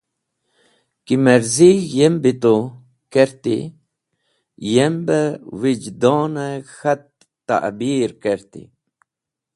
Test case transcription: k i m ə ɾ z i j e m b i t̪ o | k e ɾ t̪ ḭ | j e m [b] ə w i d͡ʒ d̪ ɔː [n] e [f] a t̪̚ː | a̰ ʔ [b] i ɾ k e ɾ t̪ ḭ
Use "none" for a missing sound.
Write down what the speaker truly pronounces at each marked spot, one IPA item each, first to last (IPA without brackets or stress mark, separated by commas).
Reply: b, n, x, b